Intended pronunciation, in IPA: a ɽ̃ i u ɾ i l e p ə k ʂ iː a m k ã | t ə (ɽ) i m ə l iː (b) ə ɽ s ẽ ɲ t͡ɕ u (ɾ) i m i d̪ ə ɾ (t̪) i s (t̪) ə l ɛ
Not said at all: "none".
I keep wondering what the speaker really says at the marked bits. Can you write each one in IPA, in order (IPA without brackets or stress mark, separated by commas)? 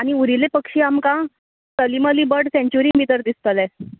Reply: l, b, ɾ, d̪, t̪